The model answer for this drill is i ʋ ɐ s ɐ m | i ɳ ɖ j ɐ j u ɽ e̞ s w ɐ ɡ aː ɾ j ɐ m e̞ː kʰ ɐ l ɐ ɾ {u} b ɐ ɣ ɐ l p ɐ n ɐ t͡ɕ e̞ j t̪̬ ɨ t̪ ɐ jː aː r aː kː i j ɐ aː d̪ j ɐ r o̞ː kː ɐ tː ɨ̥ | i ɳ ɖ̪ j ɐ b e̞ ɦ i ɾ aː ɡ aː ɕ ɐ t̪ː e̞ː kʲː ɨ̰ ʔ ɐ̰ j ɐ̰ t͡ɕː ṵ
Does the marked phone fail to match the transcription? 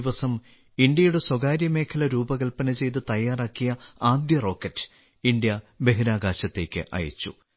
yes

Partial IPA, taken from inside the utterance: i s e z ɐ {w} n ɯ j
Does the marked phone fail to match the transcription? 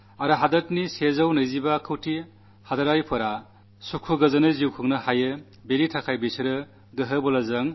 no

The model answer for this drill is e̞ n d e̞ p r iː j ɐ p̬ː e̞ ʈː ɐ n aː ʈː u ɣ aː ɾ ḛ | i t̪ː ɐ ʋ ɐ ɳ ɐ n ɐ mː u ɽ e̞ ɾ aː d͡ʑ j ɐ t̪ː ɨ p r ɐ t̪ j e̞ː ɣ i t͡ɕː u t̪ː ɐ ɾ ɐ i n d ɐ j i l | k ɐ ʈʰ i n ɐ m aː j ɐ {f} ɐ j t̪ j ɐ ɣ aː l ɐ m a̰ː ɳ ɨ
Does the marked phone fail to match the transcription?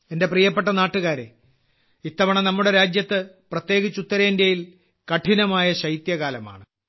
yes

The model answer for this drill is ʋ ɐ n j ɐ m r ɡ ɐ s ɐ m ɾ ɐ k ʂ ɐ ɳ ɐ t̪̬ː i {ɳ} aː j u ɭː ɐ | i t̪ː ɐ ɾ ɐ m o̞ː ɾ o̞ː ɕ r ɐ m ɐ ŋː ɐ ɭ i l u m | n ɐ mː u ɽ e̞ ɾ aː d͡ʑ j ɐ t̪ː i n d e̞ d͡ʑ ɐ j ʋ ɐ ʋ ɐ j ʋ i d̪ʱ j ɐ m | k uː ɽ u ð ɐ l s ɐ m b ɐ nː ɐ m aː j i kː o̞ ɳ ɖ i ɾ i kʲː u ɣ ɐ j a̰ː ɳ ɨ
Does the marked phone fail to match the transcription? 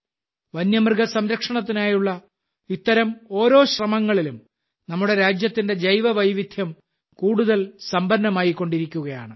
yes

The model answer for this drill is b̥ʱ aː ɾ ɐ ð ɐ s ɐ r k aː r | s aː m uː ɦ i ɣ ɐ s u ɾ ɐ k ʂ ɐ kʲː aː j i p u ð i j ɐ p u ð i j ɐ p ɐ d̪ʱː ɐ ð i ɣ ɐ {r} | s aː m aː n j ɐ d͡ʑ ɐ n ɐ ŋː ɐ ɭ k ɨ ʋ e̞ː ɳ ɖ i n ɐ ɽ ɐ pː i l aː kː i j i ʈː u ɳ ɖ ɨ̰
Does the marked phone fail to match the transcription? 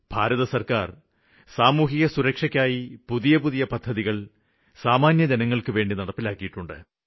yes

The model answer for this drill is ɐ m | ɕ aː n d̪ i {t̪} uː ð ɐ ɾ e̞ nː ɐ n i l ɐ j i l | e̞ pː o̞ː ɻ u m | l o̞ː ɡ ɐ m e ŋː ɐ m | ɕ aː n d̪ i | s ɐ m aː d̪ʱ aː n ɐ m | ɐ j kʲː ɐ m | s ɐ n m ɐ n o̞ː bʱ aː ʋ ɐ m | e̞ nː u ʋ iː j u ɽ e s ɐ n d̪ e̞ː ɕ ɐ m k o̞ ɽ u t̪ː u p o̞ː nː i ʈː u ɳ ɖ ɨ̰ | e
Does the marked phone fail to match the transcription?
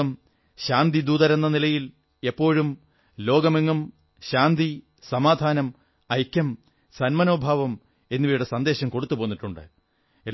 yes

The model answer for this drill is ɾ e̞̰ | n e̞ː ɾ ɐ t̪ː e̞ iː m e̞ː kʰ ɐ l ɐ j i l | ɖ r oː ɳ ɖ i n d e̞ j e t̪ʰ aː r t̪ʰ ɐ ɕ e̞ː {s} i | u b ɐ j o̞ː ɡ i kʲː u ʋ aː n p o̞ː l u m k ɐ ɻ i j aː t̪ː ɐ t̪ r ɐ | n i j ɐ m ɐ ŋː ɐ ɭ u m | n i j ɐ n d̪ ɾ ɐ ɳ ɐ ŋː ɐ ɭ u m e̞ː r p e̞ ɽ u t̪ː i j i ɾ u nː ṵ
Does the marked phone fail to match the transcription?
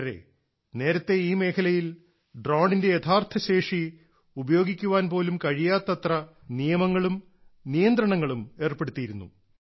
yes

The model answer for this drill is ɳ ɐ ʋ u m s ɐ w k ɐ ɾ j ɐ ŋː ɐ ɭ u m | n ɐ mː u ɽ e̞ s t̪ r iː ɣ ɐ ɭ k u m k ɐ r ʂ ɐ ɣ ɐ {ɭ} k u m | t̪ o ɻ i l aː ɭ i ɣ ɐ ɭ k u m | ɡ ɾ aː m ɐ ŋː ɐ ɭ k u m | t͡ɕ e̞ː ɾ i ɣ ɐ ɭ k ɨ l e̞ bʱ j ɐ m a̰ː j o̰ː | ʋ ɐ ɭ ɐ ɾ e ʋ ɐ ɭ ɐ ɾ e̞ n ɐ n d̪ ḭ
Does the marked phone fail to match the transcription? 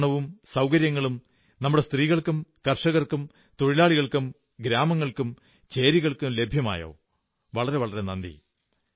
yes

